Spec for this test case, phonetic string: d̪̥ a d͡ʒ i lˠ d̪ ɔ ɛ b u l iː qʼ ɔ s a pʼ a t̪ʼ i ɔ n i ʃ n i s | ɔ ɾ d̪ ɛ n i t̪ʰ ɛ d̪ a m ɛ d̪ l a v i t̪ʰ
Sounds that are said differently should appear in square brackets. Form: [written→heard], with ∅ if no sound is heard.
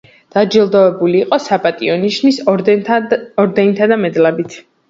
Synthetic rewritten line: d̪̥ a d͡ʒ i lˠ d̪ ɔ ɛ b u l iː qʼ ɔ s a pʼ a t̪ʼ i ɔ n i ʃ n i s | ɔ ɾ d̪ ɛ n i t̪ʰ [ɛ→a] d̪ a m ɛ d̪ l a [v→b] i t̪ʰ